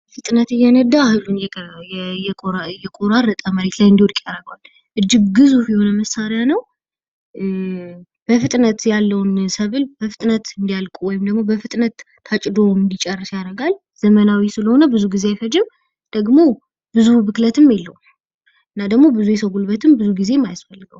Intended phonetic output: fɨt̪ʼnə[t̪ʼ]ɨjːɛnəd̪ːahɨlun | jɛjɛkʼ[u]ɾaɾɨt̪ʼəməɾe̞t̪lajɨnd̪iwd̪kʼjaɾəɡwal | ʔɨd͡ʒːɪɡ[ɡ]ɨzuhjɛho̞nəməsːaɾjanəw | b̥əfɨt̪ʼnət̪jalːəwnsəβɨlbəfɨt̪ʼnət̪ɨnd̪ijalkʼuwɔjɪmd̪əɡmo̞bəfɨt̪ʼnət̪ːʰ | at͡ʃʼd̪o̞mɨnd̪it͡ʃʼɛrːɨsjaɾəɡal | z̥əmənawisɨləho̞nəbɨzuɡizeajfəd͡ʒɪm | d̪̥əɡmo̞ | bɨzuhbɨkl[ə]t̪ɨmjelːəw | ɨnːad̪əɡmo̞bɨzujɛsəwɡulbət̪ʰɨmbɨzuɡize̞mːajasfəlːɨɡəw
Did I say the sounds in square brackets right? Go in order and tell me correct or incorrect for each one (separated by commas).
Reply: incorrect, incorrect, correct, correct